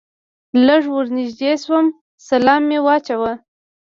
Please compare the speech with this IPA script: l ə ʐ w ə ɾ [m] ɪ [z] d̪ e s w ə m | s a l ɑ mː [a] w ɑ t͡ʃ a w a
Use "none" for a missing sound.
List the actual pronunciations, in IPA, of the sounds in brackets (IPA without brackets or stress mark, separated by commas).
n, ʒ, e